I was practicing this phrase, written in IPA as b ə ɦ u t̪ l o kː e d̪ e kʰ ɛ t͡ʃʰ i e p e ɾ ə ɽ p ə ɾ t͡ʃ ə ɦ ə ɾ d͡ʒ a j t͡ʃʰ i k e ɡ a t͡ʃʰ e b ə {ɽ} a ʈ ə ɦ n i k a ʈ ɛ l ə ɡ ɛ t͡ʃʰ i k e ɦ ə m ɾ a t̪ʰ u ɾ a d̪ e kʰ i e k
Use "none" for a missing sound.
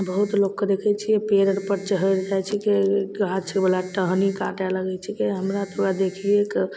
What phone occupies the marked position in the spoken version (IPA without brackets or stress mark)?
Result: l